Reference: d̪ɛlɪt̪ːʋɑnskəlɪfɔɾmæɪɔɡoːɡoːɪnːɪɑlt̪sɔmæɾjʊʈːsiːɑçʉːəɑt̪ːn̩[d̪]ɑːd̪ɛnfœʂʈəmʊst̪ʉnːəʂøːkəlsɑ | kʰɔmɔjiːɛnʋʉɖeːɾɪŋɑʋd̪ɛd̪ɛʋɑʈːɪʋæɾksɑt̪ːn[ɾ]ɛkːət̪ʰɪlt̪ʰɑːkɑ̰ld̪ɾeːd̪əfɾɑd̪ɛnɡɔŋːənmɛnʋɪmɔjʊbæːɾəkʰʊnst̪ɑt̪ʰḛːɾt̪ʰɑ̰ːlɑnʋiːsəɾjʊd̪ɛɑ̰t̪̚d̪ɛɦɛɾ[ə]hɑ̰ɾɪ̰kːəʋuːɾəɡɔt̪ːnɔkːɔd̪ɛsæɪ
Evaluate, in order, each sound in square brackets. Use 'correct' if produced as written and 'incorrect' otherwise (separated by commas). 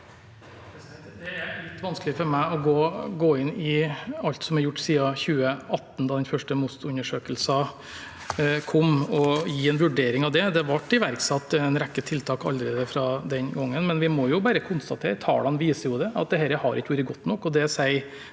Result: correct, correct, correct